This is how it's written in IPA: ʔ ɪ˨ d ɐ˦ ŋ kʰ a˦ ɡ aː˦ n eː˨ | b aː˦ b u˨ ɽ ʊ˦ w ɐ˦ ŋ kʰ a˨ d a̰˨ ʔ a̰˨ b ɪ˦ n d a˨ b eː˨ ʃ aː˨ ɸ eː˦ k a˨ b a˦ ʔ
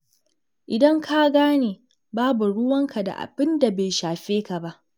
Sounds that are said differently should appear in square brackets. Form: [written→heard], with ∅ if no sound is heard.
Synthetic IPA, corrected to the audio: ʔ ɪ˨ d ɐ˦ ŋ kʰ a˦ ɡ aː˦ n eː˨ | b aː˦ b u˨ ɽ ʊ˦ w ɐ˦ ŋ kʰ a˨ d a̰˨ ʔ a̰˨ b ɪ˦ n d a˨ b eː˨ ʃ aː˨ ɸ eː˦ k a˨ b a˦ ʔ